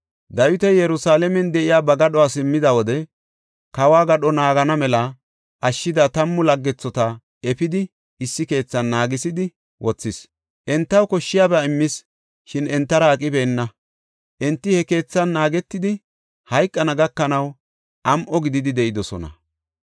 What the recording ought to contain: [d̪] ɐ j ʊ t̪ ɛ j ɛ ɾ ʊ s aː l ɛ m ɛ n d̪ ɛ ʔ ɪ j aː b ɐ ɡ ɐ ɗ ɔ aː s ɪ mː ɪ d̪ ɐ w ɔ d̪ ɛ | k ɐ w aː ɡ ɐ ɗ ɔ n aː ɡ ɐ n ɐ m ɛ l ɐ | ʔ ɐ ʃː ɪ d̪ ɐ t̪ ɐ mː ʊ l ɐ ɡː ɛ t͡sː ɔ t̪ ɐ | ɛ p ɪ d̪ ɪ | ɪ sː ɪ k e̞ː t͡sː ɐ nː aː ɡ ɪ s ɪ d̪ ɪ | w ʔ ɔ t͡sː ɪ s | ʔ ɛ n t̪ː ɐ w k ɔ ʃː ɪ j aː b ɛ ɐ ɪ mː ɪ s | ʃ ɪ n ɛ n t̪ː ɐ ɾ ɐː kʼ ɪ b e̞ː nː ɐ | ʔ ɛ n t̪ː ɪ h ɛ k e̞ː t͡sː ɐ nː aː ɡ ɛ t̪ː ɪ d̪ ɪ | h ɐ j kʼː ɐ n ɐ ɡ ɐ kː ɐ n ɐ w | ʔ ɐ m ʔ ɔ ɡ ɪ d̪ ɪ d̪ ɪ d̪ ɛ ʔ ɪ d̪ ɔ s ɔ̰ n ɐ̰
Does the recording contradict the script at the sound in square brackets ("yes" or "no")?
no